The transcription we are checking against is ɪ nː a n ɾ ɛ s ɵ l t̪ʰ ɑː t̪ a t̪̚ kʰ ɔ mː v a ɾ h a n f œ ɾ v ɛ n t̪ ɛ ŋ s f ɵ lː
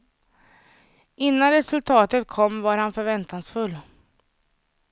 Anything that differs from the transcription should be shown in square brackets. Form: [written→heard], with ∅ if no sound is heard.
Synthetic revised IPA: ɪ nː a n ɾ ɛ s ɵ l t̪ʰ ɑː t̪ [a→ə] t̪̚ kʰ ɔ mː v a ɾ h a n f œ ɾ v ɛ n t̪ [ɛ→a] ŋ s f ɵ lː